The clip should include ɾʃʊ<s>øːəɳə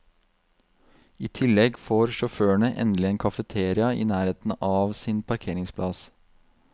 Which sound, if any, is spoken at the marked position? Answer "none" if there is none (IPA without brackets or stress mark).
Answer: f